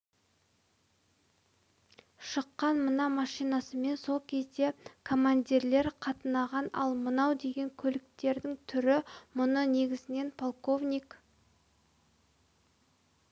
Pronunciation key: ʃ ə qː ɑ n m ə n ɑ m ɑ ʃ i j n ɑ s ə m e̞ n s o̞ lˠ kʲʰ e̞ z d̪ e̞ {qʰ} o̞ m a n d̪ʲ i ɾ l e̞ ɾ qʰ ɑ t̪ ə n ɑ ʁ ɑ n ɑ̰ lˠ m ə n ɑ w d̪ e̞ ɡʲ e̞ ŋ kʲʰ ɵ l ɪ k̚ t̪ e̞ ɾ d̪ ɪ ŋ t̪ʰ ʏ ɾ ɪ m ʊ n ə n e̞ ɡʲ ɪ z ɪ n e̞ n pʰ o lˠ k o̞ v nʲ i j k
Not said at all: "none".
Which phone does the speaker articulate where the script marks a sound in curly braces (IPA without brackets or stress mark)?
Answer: kʰ